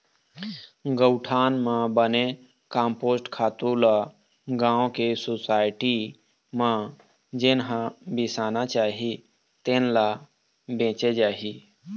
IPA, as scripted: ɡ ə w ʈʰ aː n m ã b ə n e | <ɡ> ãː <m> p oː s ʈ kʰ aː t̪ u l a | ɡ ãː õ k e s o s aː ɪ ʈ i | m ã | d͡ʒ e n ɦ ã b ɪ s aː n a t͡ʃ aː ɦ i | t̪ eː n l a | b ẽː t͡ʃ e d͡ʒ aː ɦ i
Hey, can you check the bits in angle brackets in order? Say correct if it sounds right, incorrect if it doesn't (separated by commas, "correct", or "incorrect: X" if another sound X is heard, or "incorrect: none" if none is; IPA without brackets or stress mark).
incorrect: k, correct